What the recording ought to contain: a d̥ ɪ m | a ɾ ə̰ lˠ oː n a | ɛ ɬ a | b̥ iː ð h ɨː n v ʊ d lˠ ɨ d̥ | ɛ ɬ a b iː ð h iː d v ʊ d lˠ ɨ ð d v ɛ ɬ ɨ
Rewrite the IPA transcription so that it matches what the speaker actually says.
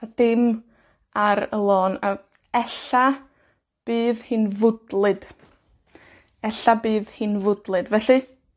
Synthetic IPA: a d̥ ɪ m | a ɾ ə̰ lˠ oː n a | ɛ ɬ a | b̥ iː ð h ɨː n v ʊ d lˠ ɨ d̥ | ɛ ɬ a b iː ð h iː n v ʊ d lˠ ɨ d v ɛ ɬ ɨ